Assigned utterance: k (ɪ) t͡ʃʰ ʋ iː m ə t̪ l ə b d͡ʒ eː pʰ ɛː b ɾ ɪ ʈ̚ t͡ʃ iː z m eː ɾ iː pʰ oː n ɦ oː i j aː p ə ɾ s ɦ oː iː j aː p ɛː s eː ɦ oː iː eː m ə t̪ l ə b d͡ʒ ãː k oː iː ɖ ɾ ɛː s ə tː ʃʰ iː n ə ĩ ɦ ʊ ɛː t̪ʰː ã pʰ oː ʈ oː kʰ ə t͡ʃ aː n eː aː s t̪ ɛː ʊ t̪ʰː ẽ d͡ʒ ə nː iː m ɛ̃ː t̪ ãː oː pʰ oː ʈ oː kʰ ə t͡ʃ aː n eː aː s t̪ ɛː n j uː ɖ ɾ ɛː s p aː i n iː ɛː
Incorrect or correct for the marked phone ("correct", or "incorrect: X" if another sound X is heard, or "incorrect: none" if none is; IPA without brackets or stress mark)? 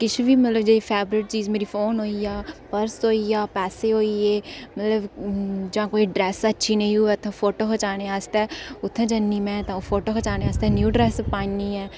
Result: correct